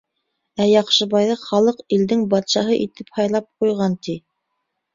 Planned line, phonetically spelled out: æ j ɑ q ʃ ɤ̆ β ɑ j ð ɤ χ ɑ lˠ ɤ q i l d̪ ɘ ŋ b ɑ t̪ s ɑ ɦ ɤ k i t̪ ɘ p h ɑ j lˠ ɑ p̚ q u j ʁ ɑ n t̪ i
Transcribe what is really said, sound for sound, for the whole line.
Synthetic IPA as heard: æ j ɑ q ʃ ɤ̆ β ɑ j ð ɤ χ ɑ lˠ ɤ q i l d̪ ɘ ŋ b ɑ t̪ ʃ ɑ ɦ ɤ ʔ i t̪ ɘ p h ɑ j lˠ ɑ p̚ q u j ʁ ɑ n t̪ i